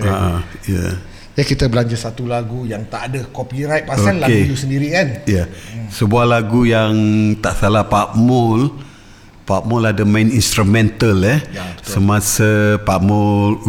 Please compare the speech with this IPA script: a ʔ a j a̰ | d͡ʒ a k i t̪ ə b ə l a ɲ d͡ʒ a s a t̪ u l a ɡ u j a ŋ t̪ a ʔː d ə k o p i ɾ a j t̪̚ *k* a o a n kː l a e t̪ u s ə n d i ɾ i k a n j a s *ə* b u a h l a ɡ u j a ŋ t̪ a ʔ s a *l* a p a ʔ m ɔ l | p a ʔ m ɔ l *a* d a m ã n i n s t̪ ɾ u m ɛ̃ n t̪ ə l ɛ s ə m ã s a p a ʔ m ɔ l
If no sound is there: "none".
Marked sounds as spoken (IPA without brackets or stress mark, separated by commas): p, ə, l, a